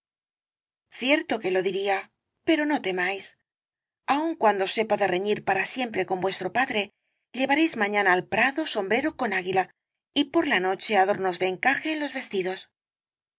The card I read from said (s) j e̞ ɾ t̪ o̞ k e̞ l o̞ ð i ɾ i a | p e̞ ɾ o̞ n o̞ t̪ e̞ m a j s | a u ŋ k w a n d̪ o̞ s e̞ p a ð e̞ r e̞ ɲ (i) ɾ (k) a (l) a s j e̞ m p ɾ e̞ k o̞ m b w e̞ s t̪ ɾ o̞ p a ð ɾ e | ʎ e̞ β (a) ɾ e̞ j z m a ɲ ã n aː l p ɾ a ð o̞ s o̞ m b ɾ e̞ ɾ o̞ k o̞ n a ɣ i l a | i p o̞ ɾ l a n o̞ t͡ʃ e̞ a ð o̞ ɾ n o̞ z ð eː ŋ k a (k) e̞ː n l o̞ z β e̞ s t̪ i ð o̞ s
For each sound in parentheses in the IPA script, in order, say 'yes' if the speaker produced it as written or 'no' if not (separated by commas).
no, yes, no, no, yes, no